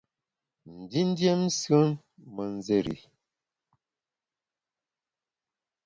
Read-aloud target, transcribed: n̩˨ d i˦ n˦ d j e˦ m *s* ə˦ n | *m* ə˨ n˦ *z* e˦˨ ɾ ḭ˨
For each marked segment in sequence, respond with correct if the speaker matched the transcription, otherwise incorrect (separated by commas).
correct, correct, correct